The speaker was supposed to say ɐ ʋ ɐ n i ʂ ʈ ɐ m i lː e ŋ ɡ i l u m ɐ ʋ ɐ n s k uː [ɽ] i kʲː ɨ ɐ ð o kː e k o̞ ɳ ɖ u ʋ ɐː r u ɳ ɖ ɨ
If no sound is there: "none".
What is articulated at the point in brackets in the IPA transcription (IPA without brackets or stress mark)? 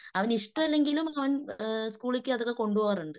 ɭ